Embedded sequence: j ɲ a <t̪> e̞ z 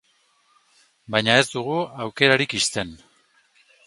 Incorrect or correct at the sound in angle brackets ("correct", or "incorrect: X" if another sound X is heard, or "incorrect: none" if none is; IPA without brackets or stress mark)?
incorrect: none